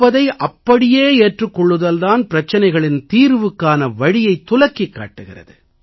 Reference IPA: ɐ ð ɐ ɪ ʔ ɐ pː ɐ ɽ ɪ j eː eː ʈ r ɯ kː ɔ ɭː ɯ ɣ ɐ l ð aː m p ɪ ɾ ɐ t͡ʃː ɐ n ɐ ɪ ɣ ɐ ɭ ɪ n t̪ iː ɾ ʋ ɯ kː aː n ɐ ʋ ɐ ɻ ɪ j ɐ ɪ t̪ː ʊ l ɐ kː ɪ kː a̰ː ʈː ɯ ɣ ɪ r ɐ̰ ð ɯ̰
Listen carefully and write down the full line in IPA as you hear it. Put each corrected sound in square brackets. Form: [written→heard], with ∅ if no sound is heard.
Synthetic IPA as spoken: ɐ ð ɐ ɪ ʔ ɐ pː ɐ ɽ ɪ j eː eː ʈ r ɯ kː ɔ ɭː ɯ [ɣ→ð] ɐ l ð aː [m→n] p ɪ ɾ ɐ t͡ʃː ɐ n ɐ ɪ ɣ ɐ ɭ ɪ n t̪ iː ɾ ʋ ɯ kː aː n ɐ ʋ ɐ ɻ ɪ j ɐ ɪ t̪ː ʊ l ɐ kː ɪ kː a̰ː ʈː ɯ ɣ ɪ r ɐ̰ ð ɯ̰

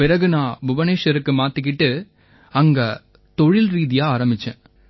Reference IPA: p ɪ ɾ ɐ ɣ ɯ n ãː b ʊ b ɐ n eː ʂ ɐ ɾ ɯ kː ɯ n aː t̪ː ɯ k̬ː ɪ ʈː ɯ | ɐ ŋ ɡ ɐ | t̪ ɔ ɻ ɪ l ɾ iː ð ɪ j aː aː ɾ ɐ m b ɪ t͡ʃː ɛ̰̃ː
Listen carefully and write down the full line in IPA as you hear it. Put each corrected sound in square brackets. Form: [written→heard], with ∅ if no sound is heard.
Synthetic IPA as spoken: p ɪ ɾ ɐ ɣ ɯ n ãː b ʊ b ɐ n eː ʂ ɐ ɾ ɯ kː ɯ [n→m] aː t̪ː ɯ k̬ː ɪ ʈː ɯ | ɐ ŋ ɡ ɐ | t̪ ɔ ɻ ɪ l ɾ iː ð ɪ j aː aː ɾ ɐ m b ɪ t͡ʃː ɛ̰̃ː

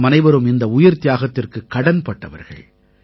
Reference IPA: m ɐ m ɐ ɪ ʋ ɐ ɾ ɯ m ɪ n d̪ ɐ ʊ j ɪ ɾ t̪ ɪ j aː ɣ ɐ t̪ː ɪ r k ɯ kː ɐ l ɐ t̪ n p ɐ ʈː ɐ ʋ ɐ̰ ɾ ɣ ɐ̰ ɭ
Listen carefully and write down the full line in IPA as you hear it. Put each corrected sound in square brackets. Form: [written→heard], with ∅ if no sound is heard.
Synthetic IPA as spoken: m ɐ [m→n] ɐ ɪ ʋ ɐ ɾ ɯ m ɪ n d̪ ɐ ʊ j ɪ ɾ t̪ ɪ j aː ɣ ɐ t̪ː ɪ r k ɯ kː ɐ [l→ɽ] ɐ [t̪→∅] n p ɐ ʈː ɐ ʋ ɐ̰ ɾ ɣ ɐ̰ ɭ

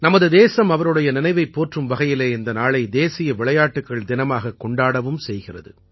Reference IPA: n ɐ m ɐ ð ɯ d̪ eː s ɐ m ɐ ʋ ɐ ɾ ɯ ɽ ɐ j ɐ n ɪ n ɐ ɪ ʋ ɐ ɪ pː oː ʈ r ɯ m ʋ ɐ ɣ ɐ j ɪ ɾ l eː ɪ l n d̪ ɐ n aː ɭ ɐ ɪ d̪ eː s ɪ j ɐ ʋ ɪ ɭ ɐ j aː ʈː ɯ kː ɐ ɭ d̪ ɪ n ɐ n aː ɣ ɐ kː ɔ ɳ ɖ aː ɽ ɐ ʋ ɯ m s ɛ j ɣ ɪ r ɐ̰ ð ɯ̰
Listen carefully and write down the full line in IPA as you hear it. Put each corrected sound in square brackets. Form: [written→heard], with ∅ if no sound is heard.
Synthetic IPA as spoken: n ɐ m ɐ ð ɯ d̪ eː s ɐ m ɐ ʋ ɐ ɾ ɯ ɽ ɐ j ɐ n ɪ n ɐ ɪ ʋ ɐ ɪ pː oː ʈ r ɯ m ʋ ɐ ɣ ɐ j ɪ [ɾ→∅] l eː ɪ [l→∅] n d̪ ɐ n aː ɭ ɐ ɪ d̪ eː s ɪ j ɐ ʋ ɪ ɭ ɐ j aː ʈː ɯ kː ɐ ɭ d̪ ɪ n ɐ [n→m] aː ɣ ɐ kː ɔ ɳ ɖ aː ɽ ɐ ʋ ɯ m s ɛ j ɣ ɪ r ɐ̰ ð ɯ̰

